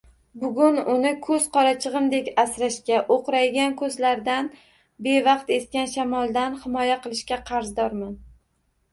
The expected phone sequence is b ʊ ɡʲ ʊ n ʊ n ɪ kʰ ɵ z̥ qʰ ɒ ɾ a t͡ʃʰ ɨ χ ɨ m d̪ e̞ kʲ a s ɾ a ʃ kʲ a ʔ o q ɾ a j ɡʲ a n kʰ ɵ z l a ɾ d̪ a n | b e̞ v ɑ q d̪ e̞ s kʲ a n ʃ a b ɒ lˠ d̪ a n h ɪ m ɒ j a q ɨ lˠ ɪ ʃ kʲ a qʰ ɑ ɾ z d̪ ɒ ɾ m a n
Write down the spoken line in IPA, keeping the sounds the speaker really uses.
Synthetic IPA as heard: b ʊ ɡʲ ʊ n ʊ n ɪ kʰ ɵ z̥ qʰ ɒ ɾ a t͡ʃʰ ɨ ʁ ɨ m d̪ e̞ kʲ a s ɾ a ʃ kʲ a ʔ o q ɾ a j ɡʲ a n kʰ ɵ z l a ɾ d̪ a n | b e̞ v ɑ q t̪ e̞ s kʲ a n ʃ a m ɒ lˠ d̪ a n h ɪ m ɒ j a q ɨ lˠ ɪ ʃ kʲ a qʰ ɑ ɾ z d̪ ɒ ɾ m a n